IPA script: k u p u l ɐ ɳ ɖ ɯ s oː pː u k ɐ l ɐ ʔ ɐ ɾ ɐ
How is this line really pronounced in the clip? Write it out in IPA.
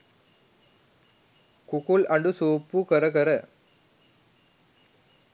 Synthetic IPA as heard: k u k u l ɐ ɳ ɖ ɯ s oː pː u k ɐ ɾ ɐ k ɐ ɾ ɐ